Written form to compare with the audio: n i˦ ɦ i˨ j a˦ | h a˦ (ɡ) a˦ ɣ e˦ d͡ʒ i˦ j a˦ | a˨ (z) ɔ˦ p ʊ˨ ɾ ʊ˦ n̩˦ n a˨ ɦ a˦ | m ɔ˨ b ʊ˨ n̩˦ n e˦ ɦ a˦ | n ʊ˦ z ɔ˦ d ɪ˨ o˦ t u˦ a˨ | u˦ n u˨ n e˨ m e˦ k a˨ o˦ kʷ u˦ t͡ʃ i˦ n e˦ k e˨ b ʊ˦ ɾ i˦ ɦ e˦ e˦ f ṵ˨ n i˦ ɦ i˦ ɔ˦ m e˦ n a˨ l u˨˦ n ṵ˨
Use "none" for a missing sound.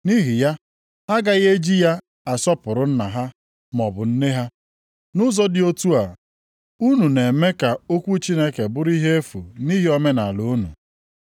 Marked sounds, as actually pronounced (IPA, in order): ɡ, s

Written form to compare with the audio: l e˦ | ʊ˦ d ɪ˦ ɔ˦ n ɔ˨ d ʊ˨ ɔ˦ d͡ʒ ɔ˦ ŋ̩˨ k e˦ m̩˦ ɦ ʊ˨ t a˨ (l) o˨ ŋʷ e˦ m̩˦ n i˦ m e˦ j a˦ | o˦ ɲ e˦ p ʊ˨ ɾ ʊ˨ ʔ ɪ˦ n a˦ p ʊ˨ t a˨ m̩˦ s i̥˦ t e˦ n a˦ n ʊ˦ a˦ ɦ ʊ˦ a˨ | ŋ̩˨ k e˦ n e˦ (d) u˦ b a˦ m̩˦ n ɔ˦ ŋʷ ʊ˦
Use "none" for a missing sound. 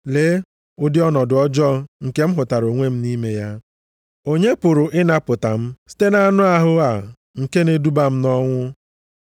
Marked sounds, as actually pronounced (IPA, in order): ɾ, d

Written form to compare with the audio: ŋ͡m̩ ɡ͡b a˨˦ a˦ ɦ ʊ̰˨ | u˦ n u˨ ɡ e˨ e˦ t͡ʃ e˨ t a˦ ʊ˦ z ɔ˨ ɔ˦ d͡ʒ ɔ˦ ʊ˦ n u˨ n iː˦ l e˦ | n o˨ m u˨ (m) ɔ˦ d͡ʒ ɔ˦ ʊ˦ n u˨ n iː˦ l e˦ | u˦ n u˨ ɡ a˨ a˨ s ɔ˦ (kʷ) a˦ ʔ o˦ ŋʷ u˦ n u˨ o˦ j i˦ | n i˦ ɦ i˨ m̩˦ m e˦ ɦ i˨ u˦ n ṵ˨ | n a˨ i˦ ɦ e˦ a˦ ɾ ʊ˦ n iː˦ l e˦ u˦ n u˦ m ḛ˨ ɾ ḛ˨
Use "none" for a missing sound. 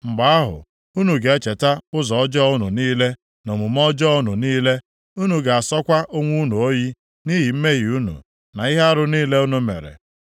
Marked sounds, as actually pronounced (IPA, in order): m, kʷ

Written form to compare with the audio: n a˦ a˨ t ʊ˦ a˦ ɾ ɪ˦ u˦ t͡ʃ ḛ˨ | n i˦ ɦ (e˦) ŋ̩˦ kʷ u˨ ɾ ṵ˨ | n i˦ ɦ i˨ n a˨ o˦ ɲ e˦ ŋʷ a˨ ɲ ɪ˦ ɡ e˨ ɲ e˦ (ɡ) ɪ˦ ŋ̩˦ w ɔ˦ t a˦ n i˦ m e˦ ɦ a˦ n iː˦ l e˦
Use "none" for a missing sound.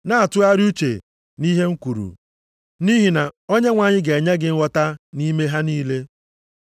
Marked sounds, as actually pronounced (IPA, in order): e˦, ɡ

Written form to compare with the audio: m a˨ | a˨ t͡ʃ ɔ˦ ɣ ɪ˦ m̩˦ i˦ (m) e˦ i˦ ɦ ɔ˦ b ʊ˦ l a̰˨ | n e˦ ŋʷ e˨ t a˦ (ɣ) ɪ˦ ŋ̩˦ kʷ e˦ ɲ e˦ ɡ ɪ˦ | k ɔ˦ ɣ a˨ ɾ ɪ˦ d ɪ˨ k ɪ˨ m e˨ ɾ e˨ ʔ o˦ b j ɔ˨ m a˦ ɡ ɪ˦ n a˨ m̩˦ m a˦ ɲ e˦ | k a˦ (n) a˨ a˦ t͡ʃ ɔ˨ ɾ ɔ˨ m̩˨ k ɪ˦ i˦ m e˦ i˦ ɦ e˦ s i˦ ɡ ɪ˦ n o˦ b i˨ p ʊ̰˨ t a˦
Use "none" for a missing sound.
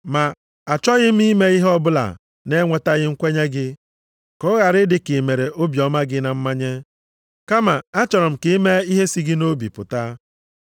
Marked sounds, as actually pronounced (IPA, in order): m, ɣ, m

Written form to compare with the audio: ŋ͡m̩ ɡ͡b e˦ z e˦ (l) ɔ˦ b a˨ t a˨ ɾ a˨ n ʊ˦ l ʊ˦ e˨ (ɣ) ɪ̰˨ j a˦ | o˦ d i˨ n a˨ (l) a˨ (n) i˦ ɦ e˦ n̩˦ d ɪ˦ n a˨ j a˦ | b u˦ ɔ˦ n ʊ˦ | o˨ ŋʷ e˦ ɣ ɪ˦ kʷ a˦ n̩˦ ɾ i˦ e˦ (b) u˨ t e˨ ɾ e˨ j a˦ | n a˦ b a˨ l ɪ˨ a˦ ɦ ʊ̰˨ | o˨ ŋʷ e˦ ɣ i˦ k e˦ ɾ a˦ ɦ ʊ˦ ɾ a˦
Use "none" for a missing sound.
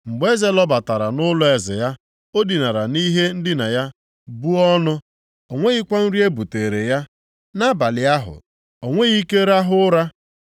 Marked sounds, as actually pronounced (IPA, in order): l, z, ɾ, n, b

